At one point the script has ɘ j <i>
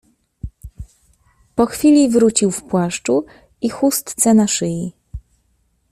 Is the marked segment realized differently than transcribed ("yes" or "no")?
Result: no